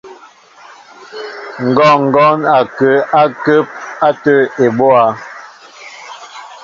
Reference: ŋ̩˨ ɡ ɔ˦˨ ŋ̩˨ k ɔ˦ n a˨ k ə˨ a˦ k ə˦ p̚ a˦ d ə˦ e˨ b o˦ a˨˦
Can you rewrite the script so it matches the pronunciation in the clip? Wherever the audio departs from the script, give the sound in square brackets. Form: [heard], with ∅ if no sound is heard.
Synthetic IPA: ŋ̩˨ ɡ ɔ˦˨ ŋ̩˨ [ɡ] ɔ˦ n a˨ k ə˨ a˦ k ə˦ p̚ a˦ [t] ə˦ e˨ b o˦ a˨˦